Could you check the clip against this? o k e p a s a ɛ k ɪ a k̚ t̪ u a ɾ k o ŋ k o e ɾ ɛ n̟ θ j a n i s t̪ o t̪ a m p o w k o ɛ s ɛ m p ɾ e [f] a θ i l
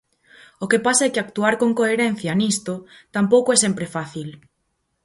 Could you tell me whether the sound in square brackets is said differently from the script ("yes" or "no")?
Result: no